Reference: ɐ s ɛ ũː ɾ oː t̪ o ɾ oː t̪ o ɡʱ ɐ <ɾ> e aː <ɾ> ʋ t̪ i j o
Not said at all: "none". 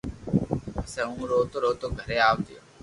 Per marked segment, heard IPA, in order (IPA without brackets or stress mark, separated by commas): ɾ, none